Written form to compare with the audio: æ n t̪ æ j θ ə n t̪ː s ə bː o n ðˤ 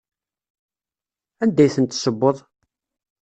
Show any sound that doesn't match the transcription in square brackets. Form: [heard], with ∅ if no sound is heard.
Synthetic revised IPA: æ n [d̪] æ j θ ə n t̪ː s ə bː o [∅] ðˤ